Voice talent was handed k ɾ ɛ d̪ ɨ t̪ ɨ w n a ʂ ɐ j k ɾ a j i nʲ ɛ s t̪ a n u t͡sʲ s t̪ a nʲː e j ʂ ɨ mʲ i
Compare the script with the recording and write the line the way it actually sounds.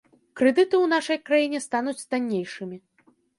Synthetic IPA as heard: k ɾ ɛ d̪ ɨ t̪ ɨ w n a ʂ ɐ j k ɾ a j i nʲ ɛ s t̪ a n u t͡sʲ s t̪ a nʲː e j ʂ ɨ mʲ i